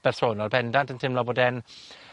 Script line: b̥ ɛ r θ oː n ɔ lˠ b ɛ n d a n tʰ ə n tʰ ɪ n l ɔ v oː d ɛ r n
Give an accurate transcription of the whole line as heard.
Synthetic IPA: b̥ ɛ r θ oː n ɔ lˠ b ɛ n d a n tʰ ə n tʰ ɪ m l ɔ b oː d ɛ n